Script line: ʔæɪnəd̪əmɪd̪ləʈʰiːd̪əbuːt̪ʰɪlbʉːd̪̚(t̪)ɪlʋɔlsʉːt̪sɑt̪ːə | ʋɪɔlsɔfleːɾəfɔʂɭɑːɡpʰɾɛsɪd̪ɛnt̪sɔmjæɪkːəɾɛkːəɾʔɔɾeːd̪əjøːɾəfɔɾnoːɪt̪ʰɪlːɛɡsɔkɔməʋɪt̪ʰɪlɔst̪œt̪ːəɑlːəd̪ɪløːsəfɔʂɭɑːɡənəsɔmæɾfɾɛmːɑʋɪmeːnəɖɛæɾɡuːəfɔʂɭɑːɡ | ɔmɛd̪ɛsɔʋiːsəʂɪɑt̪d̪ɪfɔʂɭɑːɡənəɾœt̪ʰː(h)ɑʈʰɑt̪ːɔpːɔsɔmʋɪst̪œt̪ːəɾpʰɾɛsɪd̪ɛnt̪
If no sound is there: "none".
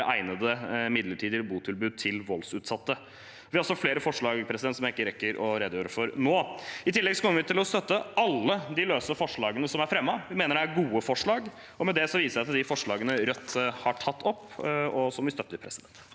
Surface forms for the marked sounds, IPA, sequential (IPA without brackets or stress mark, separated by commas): t̪ʰ, h